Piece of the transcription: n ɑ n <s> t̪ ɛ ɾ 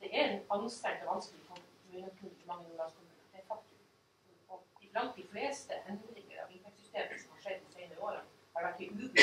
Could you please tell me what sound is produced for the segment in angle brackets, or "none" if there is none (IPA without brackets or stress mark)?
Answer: s